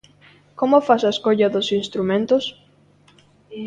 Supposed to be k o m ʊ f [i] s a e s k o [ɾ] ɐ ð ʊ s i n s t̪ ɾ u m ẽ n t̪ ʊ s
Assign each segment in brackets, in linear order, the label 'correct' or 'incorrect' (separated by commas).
incorrect, incorrect